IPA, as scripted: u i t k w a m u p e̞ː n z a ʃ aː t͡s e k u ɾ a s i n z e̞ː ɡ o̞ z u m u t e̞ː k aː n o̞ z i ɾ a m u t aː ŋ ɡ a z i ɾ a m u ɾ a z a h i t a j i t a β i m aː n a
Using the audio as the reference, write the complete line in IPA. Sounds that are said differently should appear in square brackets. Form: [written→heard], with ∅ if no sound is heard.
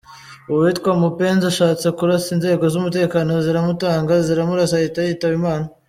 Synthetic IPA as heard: u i t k w a m u p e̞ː n z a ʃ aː t͡s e k u ɾ a s i n z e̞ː ɡ o̞ z u m u t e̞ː k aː n o̞ z i ɾ a m u t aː ŋ ɡ a z i ɾ a m u ɾ a [z→s] a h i t a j i t a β i m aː n a